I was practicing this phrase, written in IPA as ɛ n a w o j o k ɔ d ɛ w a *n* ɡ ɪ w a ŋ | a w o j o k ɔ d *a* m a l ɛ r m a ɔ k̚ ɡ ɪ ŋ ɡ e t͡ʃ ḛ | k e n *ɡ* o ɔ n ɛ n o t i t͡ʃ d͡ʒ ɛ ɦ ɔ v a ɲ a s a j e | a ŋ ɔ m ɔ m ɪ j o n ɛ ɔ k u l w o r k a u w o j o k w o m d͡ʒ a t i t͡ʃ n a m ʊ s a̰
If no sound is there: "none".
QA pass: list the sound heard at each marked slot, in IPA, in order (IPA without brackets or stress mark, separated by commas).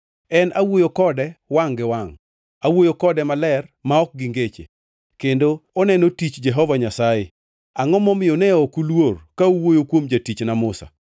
ŋ, ɛ, d